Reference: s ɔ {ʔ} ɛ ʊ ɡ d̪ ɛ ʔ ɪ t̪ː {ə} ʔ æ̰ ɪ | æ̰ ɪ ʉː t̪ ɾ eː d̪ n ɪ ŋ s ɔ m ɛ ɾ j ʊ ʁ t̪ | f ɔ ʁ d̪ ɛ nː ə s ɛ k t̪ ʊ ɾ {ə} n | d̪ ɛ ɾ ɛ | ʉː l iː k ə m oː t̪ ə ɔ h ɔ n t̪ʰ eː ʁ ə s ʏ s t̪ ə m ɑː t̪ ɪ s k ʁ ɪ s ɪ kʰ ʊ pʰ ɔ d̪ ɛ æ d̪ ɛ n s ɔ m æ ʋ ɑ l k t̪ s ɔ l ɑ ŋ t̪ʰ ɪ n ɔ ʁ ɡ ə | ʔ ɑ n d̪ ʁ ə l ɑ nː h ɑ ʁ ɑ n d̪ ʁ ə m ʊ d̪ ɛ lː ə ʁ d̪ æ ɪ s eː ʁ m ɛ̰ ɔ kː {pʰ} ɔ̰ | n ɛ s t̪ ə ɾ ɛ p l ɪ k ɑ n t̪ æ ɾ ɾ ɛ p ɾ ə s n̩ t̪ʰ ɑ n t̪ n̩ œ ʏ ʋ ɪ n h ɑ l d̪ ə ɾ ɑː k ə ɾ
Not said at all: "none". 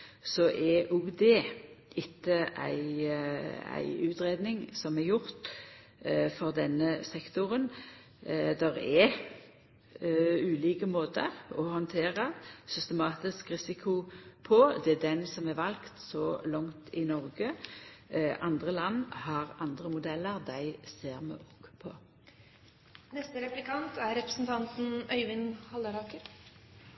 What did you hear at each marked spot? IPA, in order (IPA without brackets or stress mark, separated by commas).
ʔ, ə, ə, pʰ